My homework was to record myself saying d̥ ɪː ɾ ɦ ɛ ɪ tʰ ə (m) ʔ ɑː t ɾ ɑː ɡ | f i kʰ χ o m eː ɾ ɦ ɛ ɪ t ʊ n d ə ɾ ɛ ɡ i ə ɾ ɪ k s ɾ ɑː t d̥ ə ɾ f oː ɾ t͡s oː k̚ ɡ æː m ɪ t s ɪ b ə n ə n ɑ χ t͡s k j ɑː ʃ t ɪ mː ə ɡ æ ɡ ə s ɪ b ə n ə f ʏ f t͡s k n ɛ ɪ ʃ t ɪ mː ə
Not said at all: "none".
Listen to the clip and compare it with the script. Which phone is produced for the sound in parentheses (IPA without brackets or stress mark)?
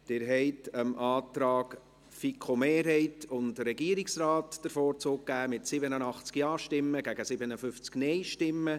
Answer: m